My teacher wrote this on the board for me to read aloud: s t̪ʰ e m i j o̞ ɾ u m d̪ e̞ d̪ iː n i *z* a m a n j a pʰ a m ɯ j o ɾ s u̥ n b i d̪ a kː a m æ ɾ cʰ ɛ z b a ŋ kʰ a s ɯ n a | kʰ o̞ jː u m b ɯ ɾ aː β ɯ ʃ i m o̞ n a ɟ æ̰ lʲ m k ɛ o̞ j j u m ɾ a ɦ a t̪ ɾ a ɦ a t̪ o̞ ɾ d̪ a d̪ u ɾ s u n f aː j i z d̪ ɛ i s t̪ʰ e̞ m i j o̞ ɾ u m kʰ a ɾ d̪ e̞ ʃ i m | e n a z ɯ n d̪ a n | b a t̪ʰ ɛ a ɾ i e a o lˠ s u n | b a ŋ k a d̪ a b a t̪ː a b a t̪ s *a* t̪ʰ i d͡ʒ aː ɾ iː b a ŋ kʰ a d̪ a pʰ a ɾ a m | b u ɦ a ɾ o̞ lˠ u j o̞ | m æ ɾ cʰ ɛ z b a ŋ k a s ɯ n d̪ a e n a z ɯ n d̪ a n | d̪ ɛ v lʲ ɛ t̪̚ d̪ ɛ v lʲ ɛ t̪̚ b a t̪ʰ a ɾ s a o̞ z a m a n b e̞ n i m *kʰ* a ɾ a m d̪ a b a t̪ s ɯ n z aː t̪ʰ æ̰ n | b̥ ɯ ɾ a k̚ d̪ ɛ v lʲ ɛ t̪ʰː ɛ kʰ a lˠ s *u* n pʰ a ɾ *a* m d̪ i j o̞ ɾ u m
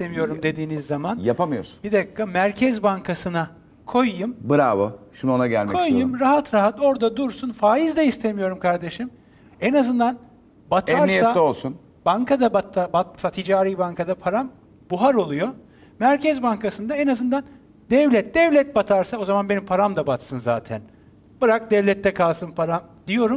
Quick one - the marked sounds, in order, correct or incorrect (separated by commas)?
incorrect, correct, incorrect, incorrect, correct